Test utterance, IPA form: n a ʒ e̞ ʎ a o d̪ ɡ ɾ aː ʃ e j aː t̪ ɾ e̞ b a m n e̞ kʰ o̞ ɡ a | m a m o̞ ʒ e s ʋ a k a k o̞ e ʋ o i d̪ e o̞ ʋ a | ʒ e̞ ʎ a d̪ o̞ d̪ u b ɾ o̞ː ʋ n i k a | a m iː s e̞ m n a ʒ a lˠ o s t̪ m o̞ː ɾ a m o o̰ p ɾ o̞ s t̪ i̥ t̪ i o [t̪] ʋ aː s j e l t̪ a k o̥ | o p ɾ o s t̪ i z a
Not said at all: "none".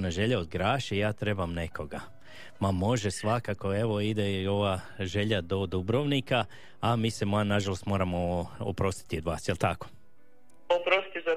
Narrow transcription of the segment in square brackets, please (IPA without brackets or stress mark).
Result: d̪